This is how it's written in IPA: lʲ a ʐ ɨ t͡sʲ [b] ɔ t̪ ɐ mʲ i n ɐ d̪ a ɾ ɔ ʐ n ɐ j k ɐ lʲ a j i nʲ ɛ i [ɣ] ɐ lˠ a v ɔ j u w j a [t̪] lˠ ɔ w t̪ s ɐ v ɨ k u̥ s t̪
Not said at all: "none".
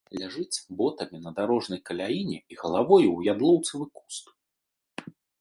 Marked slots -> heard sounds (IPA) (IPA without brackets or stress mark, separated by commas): b, ɣ, d̪